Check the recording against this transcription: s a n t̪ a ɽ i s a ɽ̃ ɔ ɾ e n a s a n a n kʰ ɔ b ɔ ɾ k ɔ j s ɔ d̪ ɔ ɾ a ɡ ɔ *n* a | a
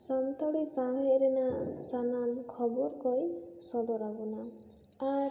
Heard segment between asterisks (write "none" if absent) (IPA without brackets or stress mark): n